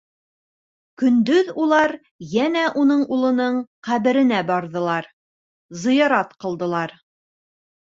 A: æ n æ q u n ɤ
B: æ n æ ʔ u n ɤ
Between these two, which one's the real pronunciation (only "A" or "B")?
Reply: B